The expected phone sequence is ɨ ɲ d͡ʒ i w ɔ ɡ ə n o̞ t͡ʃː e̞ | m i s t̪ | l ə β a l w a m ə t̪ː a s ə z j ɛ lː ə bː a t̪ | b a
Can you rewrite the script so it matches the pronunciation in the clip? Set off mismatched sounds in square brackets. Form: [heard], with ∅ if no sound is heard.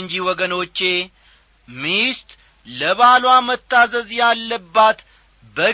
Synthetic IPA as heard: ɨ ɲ d͡ʒ i w ɔ ɡ ə n o̞ t͡ʃː e̞ | m i s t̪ | l ə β a l w a m ə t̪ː a [z] ə z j [a] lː ə bː a t̪ | b [ə]